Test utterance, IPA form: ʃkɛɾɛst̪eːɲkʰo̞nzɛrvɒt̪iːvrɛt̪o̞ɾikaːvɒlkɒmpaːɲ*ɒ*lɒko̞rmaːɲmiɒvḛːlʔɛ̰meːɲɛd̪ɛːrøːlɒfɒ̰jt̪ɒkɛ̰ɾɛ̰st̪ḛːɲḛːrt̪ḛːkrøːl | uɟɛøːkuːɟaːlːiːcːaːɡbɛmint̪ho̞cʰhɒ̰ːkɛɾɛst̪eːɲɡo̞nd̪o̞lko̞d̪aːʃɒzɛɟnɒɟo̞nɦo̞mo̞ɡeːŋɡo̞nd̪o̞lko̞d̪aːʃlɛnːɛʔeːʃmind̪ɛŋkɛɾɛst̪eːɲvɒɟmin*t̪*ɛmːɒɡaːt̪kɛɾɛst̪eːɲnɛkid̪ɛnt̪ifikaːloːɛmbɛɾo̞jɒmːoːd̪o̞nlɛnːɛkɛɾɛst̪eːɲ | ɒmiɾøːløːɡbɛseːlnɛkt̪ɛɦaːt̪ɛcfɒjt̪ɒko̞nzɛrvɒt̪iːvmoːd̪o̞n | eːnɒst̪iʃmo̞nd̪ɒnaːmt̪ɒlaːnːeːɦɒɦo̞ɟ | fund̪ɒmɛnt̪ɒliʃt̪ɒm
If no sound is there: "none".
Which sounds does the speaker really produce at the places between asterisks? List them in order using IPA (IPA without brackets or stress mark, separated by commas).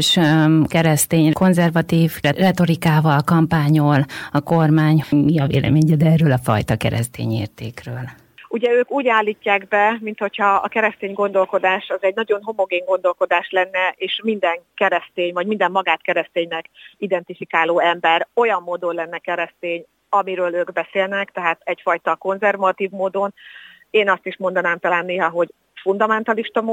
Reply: o, d̪